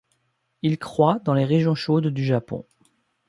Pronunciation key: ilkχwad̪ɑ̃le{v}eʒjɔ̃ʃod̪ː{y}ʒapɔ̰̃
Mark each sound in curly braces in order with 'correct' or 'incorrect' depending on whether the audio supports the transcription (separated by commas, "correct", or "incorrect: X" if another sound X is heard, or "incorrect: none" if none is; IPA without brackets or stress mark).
incorrect: ʁ, correct